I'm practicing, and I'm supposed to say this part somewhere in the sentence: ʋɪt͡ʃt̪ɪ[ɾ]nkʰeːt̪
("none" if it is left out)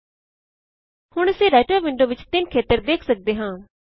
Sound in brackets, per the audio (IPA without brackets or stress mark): none